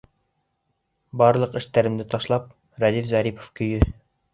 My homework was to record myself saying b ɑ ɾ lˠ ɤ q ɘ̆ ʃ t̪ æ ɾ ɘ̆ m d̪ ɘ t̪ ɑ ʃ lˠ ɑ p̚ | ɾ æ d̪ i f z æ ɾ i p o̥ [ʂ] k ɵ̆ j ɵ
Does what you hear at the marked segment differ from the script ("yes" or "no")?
yes